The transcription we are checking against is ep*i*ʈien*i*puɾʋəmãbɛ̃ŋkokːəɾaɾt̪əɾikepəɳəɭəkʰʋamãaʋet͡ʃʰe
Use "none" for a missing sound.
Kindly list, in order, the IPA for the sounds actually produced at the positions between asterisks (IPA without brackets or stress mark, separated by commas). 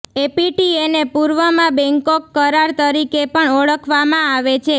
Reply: i, e